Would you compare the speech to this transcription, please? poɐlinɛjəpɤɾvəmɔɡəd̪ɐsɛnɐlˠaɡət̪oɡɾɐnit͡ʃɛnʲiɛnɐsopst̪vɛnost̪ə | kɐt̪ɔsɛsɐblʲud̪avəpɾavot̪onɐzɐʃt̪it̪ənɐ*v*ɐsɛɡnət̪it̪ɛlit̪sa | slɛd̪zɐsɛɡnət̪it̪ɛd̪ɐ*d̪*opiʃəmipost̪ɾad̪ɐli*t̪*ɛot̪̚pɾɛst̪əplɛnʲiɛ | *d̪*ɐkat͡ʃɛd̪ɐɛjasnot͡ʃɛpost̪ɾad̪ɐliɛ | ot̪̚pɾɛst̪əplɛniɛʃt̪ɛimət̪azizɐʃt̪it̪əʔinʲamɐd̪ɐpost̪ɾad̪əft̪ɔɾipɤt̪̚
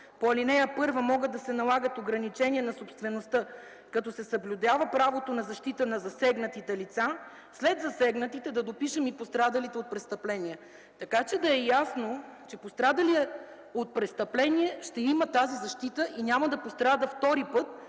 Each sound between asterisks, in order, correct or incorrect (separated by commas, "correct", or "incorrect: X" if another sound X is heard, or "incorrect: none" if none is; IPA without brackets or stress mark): incorrect: z, correct, correct, incorrect: t̪